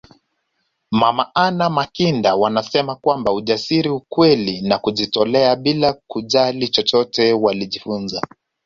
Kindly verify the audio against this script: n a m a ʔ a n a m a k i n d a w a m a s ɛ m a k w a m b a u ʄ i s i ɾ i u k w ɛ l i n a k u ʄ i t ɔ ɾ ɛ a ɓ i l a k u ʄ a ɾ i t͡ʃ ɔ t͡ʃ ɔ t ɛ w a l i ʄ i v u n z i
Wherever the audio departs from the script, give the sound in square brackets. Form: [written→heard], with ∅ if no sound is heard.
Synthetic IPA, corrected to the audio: [n→m] a m a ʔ a n a m a k i n d a w a [m→n] a s ɛ m a k w a m b a u ʄ [i→a] s i ɾ i u k w ɛ l i n a k u ʄ i t ɔ [ɾ→l] ɛ a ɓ i l a k u ʄ a [ɾ→l] i t͡ʃ ɔ t͡ʃ ɔ t ɛ w a l i ʄ i [v→f] u n z [i→a]